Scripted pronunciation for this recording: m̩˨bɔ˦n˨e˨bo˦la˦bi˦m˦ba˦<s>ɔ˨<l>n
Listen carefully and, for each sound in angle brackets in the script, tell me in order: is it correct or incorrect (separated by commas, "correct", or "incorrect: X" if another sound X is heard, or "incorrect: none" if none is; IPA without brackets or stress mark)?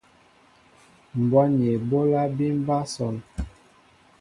correct, incorrect: none